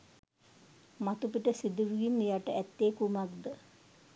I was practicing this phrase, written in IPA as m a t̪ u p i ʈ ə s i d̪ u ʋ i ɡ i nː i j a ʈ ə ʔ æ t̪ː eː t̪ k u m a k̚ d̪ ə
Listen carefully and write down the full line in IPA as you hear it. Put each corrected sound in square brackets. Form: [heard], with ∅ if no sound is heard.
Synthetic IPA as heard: m a t̪ u p i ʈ ə s i d̪ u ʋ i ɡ i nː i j a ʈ ə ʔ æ t̪ː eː [∅] k u m a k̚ d̪ ə